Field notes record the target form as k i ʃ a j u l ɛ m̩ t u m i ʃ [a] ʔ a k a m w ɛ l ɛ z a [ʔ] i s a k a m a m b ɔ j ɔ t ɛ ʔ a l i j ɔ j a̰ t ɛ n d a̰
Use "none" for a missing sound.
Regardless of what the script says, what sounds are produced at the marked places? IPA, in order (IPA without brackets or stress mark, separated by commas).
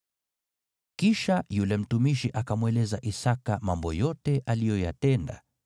i, ʔ